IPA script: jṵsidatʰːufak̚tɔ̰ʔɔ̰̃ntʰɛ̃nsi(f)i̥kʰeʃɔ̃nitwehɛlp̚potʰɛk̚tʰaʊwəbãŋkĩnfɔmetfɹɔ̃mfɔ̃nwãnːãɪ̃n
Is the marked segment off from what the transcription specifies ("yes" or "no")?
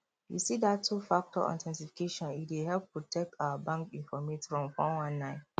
no